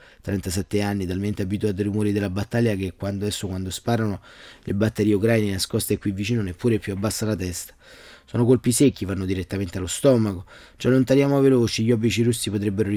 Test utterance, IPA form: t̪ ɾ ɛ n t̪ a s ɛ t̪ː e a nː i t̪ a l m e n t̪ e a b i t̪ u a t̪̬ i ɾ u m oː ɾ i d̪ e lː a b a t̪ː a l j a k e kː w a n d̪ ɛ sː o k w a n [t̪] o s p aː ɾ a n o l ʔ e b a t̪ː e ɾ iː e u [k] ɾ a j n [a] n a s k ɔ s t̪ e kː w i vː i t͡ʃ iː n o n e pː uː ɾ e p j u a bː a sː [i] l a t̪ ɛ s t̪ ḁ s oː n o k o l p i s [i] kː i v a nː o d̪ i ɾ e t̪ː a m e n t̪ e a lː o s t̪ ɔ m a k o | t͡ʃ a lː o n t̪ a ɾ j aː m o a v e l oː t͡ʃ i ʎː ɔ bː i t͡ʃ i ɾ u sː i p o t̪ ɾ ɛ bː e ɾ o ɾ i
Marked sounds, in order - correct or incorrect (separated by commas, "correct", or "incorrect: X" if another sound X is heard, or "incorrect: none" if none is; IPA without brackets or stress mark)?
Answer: incorrect: d̪, correct, incorrect: e, incorrect: a, incorrect: e